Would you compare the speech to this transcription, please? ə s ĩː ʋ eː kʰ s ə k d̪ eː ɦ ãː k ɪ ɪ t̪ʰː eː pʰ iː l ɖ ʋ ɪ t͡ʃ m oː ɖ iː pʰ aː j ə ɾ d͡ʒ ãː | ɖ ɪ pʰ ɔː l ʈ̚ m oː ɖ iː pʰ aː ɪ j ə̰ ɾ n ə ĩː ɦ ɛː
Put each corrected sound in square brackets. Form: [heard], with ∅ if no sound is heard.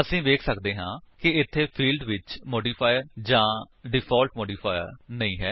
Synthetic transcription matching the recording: ə s ĩː ʋ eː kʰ s ə k d̪ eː ɦ ãː k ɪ ɪ t̪ʰː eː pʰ iː l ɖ ʋ ɪ t͡ʃ m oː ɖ iː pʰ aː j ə ɾ d͡ʒ ãː | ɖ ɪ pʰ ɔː l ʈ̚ m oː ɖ iː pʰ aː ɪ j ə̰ ɾ n ə ĩː ɦ ɛː